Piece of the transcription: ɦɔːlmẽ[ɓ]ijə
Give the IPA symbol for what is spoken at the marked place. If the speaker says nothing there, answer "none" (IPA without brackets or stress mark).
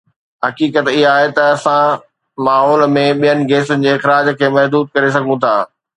ɓ